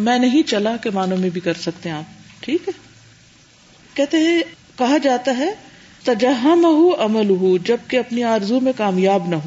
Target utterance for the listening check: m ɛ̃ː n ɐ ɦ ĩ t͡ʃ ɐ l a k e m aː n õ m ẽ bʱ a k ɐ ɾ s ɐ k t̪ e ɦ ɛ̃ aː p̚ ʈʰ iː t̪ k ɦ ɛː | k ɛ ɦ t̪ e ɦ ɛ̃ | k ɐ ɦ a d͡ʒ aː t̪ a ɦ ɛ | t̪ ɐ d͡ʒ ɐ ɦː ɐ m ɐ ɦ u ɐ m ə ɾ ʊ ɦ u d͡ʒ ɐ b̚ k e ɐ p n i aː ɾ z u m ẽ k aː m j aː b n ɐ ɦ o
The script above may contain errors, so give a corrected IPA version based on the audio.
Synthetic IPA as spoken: m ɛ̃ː n ɐ ɦ ĩ t͡ʃ ɐ l a k e m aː n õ m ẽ bʱ i k ɐ ɾ s ɐ k t̪ e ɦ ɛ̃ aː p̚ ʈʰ iː k ɦ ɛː | k ɛ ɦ t̪ e ɦ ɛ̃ | k ɐ ɦ a d͡ʒ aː t̪ a ɦ ɛ | t̪ ɐ d͡ʒ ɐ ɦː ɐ m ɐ ɦ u ɐ m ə l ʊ ɦ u d͡ʒ ɐ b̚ k e ɐ p n i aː ɾ z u m ẽ k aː m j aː b n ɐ ɦ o